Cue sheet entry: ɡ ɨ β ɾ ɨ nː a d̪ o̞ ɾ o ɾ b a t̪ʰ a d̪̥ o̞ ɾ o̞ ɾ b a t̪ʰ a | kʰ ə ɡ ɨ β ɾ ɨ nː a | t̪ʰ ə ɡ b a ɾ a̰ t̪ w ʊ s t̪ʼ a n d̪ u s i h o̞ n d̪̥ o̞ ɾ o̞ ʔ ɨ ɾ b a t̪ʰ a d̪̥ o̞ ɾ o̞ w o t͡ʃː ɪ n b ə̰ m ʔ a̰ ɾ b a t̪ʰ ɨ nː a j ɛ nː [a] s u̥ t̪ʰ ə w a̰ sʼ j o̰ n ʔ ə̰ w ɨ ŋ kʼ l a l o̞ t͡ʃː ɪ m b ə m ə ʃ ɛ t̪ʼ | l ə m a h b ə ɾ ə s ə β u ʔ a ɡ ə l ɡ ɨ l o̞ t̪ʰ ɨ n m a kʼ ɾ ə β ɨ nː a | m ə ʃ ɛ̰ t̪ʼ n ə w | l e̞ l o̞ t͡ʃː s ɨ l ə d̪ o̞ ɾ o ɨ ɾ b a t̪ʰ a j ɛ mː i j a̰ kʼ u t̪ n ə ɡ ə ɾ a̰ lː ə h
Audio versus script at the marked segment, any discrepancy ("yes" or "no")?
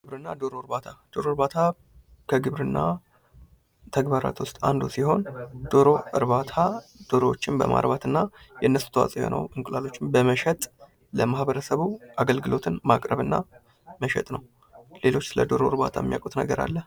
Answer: yes